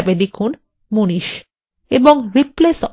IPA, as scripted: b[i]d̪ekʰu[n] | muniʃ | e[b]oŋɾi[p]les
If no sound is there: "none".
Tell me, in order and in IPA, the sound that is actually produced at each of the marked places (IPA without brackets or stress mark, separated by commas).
e, n, b, p